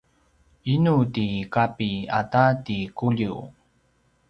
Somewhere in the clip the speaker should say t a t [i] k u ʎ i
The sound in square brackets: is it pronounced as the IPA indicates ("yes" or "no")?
yes